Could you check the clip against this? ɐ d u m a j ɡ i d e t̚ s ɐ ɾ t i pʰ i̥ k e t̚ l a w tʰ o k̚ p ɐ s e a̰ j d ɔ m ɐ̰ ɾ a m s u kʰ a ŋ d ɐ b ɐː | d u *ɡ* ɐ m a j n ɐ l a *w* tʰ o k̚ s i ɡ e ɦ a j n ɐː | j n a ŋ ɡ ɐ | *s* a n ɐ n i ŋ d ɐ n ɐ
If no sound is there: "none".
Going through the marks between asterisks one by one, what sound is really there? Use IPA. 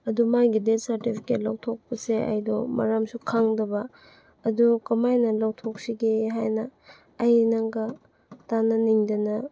k, w, t

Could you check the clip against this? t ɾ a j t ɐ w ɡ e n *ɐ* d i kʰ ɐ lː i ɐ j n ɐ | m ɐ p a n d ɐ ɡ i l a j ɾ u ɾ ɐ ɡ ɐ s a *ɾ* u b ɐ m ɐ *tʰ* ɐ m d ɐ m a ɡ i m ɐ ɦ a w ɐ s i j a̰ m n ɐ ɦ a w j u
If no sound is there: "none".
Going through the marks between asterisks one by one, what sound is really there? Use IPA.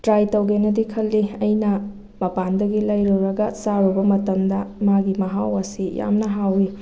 ɐ, ɾ, t

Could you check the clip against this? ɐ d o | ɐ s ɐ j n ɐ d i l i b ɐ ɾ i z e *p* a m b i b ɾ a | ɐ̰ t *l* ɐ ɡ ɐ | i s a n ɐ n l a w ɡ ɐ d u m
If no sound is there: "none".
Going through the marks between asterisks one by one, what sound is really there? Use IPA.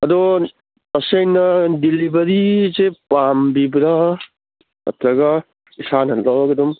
p, ɾ

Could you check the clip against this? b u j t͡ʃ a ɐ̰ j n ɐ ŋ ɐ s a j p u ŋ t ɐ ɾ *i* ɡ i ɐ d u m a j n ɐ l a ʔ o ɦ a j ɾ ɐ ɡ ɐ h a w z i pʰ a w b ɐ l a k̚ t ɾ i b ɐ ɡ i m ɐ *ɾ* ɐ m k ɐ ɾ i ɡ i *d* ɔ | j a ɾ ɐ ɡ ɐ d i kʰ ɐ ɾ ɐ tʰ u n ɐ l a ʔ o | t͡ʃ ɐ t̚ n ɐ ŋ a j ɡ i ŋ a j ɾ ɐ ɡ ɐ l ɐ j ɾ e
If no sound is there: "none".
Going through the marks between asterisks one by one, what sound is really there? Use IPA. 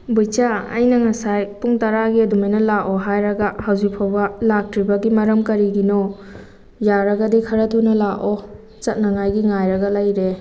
a, ɾ, n

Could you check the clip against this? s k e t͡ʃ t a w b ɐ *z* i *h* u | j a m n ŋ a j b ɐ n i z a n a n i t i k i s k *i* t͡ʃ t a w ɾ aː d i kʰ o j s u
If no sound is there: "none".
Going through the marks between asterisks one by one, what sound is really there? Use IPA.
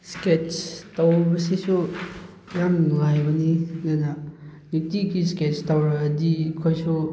s, s, e

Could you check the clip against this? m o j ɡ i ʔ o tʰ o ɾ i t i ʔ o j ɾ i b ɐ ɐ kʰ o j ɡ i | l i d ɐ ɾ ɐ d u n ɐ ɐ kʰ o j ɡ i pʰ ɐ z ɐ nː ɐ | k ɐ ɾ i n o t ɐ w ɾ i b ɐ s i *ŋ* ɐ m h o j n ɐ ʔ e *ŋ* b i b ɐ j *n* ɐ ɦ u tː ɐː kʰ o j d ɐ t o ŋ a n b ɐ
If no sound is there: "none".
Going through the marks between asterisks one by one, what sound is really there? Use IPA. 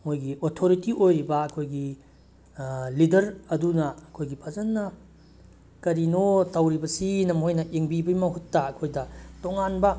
n, ŋ, m

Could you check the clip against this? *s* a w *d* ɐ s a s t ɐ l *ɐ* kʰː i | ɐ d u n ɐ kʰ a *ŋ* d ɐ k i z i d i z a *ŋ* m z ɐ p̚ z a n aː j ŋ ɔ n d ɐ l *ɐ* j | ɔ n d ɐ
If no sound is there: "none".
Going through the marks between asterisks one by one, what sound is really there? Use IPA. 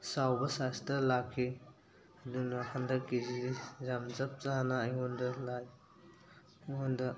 s, b, a, n, none, a

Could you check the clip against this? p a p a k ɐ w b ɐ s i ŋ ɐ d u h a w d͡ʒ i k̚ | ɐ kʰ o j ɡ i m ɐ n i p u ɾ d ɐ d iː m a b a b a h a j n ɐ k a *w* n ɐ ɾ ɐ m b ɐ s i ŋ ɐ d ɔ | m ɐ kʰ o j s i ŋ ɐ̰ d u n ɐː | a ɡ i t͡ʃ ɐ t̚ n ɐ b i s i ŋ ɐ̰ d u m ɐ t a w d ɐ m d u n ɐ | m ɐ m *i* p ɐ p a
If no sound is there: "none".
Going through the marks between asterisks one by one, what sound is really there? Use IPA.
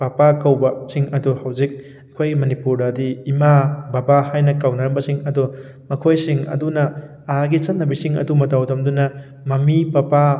w, i

